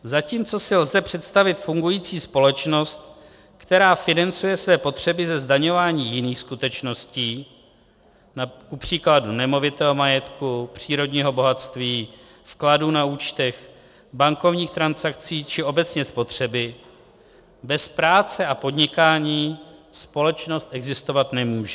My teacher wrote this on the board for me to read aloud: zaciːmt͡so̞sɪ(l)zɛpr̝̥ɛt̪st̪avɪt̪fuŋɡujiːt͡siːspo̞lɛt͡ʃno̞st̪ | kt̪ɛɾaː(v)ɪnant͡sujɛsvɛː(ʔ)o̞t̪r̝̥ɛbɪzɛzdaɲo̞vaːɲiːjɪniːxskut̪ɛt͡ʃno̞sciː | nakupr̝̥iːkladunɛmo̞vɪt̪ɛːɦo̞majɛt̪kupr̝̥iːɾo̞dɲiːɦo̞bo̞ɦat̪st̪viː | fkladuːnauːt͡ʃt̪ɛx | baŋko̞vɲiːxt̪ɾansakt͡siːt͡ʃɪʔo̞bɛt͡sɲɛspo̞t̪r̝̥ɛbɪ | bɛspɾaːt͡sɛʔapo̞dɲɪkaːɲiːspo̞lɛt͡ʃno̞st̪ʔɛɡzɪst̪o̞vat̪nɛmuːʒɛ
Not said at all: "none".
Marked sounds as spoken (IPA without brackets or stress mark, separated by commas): l, f, p